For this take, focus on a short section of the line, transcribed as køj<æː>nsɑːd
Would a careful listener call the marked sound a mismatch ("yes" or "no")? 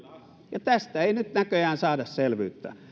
no